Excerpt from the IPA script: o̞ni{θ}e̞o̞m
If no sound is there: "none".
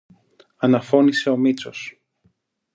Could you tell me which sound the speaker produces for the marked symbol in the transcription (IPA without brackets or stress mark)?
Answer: s